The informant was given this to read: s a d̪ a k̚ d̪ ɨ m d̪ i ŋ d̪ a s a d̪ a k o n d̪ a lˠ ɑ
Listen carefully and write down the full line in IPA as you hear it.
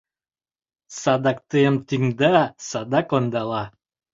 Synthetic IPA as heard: s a d̪ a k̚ t̪ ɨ m t̪ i ŋ d̪ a s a d̪ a k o n d̪ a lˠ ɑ